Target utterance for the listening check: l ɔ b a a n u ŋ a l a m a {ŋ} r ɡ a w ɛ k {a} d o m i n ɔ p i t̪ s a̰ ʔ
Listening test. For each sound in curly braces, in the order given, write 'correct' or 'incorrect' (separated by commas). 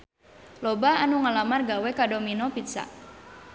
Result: incorrect, correct